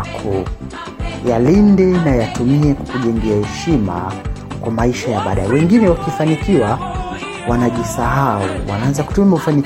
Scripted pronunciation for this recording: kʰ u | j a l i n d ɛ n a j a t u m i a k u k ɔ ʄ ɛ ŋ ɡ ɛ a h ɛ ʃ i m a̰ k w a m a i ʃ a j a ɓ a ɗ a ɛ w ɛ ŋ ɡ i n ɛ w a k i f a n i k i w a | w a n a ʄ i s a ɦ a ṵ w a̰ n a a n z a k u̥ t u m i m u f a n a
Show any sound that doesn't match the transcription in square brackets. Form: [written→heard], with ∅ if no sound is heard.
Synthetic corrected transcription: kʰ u | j a l i n d ɛ n a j a t u m i [a→ɛ] k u k [ɔ→u] ʄ ɛ ŋ ɡ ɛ a h ɛ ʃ i m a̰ k w a m a i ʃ a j a ɓ a ɗ a ɛ w ɛ ŋ ɡ i n ɛ w a k i f a n i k i w a | w a n a ʄ i s a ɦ a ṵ w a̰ n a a n z a k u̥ t u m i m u f a n [a→i]